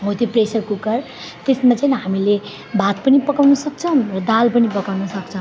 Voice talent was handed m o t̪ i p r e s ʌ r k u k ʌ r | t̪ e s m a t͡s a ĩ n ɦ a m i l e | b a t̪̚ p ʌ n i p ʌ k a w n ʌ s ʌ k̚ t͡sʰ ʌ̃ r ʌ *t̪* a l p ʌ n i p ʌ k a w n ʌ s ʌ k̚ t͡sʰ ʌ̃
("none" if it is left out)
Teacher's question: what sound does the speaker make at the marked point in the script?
d̪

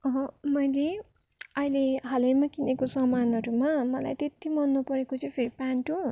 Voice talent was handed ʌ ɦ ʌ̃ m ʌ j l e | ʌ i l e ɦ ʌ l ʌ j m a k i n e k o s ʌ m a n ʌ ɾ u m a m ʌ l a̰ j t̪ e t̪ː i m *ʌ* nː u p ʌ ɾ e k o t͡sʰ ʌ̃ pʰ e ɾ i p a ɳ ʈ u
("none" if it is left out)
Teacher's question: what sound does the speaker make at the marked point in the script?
ʌ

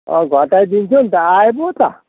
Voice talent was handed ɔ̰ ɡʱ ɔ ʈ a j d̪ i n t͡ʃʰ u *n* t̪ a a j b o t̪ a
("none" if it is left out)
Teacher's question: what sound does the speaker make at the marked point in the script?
n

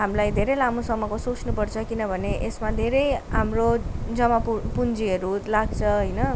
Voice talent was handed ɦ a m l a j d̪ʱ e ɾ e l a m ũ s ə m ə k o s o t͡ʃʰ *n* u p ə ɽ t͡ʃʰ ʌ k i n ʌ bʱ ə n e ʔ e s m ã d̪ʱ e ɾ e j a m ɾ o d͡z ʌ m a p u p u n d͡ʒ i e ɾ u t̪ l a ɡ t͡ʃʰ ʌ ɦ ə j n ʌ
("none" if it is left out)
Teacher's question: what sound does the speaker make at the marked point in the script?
n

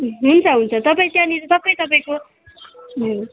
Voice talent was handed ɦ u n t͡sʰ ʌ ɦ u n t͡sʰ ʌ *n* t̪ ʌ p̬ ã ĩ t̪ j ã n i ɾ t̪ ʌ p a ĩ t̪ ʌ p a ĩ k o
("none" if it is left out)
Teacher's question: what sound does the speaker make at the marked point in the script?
none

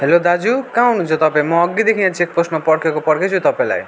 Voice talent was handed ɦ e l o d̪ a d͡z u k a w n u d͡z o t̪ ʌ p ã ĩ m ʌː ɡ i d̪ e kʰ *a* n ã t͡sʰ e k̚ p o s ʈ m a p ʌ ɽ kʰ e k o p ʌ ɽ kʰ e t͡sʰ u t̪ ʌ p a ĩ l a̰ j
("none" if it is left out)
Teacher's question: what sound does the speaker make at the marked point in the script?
i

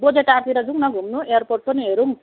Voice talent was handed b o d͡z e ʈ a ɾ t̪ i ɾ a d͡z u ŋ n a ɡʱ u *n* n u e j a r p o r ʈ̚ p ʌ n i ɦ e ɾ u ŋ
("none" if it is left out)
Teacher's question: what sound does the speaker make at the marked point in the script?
m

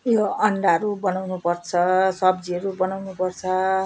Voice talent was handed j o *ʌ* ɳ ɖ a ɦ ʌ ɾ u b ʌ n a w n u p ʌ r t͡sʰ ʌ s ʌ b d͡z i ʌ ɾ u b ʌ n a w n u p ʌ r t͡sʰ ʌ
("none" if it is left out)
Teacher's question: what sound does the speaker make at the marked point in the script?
ʌ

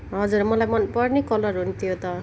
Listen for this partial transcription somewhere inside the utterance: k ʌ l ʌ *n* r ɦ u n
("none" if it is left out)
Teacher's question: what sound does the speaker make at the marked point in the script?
none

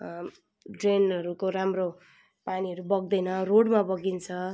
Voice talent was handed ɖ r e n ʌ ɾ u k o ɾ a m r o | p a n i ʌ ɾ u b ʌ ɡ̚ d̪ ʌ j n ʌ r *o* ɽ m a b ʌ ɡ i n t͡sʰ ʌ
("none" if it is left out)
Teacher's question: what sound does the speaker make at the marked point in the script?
o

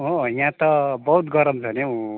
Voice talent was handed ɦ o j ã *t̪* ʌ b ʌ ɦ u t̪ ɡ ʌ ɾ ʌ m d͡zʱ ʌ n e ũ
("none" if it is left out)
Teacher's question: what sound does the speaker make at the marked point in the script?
t̪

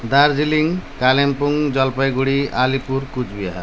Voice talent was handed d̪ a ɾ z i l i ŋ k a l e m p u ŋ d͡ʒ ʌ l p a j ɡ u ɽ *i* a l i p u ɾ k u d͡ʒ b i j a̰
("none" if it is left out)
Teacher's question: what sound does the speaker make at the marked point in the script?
i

